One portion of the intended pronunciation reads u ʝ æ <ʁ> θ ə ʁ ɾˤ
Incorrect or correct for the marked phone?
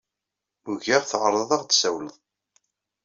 correct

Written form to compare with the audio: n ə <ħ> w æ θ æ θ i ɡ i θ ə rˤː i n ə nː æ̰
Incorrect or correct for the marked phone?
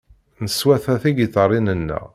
incorrect: s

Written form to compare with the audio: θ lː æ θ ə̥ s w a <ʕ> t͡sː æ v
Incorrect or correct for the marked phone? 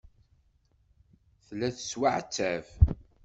correct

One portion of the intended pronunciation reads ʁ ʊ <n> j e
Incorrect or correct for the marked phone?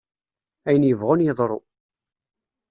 correct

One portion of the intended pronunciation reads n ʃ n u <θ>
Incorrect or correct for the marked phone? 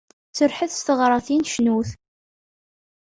correct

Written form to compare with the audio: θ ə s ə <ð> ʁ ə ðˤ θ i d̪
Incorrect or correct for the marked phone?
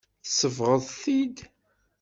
incorrect: v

